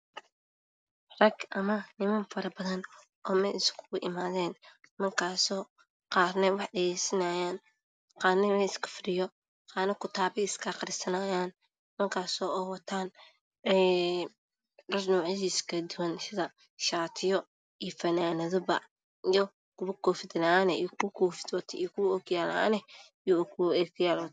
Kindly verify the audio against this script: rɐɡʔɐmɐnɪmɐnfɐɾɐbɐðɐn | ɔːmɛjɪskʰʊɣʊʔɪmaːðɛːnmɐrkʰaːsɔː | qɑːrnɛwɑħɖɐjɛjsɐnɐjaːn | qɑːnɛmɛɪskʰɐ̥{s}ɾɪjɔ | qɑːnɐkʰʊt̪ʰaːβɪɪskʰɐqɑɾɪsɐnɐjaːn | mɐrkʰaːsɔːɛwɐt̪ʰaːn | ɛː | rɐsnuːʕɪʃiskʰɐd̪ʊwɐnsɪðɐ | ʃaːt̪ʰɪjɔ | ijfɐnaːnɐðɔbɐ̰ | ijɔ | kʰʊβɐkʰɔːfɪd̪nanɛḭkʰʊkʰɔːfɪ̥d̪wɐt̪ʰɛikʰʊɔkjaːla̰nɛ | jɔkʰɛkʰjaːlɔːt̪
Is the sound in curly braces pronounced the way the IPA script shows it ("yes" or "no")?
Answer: no